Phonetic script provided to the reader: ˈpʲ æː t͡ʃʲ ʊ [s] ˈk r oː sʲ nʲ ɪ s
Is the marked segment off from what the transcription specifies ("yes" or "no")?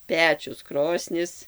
no